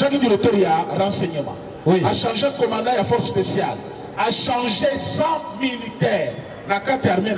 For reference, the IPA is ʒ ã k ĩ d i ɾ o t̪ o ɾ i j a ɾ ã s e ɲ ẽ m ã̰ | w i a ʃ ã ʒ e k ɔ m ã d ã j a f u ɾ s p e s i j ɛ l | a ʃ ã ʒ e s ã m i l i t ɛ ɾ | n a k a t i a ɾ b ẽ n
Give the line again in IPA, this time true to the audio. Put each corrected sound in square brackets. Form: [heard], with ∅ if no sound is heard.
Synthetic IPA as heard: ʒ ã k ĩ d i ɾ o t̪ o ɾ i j a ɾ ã s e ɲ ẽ m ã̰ | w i a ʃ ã ʒ e k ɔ m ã d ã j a f [ɔ] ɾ s p e s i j [a] l | a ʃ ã ʒ e s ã m i l i t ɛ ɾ | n a k a t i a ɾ [m] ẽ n